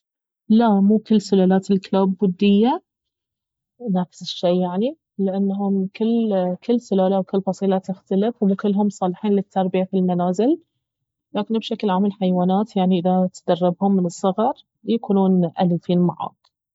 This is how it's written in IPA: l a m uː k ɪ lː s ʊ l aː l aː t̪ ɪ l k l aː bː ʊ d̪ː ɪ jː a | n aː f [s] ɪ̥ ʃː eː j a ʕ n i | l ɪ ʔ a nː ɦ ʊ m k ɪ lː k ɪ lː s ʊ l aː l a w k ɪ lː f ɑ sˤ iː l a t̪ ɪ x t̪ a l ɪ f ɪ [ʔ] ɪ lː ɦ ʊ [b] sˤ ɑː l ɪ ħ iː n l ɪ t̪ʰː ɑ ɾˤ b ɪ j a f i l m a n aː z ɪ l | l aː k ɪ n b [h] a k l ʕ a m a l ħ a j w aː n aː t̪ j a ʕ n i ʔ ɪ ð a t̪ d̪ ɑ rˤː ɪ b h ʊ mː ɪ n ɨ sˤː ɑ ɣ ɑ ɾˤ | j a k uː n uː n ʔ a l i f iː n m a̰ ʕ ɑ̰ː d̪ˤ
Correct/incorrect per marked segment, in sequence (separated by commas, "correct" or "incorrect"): correct, incorrect, incorrect, incorrect